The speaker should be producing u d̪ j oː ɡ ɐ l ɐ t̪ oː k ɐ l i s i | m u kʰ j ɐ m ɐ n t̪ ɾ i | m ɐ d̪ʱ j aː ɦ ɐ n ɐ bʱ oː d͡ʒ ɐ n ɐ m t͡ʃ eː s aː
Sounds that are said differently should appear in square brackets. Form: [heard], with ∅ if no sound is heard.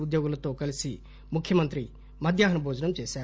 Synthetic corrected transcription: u d̪ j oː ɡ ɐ l ɐ t̪ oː k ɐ l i s i | m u kʰ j ɐ m ɐ n t̪ ɾ i | m ɐ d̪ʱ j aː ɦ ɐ n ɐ bʱ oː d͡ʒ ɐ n ɐ m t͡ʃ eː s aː